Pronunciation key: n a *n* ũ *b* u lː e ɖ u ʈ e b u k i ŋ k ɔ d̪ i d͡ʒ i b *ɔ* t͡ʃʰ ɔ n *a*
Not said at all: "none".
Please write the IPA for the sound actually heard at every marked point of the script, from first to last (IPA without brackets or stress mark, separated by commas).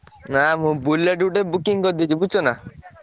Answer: m, b, u, a